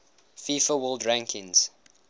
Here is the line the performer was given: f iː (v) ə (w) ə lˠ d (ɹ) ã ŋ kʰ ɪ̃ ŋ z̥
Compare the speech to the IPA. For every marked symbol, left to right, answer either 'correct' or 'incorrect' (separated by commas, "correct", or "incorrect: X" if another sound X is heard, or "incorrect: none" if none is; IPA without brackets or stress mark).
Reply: incorrect: f, correct, correct